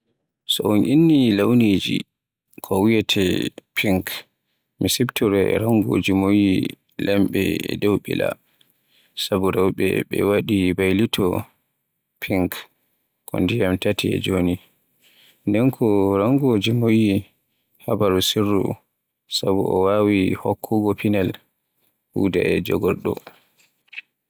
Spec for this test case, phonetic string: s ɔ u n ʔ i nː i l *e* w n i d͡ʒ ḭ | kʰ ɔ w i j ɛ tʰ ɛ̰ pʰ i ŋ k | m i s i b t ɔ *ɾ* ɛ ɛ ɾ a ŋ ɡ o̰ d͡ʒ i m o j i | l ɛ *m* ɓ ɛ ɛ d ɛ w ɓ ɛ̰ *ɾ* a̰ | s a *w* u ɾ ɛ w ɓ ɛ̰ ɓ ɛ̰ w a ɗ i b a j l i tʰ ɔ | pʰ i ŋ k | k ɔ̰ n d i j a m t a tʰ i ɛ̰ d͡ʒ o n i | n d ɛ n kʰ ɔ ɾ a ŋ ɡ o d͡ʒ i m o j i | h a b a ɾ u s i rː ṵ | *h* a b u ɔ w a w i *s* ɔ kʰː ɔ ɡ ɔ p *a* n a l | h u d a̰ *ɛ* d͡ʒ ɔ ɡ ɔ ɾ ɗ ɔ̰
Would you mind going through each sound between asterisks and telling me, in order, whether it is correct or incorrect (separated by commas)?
incorrect, correct, correct, incorrect, incorrect, incorrect, incorrect, incorrect, correct